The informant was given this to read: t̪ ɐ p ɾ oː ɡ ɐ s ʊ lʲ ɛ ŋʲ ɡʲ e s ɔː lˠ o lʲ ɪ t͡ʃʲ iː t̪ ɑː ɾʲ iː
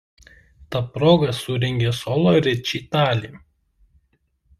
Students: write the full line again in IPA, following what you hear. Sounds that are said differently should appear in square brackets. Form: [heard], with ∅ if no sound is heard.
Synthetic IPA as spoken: t̪ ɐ p ɾ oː ɡ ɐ s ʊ [ɾʲ] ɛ ŋʲ ɡʲ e s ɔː lˠ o [ɾʲ] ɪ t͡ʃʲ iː t̪ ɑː [lʲ] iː